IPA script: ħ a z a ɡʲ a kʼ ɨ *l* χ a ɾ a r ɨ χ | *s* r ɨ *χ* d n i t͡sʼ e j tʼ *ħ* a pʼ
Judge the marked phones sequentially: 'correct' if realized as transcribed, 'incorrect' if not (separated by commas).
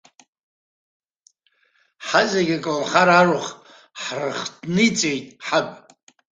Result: correct, incorrect, correct, correct